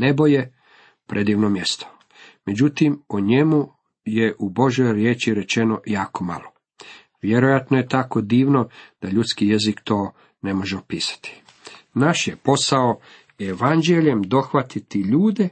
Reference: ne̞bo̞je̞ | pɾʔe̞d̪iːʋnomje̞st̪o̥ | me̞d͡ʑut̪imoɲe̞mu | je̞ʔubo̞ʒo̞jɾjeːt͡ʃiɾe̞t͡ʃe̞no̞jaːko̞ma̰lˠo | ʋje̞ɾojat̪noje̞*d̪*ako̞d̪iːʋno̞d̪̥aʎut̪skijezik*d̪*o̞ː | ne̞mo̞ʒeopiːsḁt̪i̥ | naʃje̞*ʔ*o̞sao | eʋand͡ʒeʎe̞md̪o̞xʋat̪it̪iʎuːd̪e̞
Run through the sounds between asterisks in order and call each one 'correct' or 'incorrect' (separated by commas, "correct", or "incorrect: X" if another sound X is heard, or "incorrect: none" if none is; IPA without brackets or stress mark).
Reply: incorrect: t̪, incorrect: t̪, incorrect: p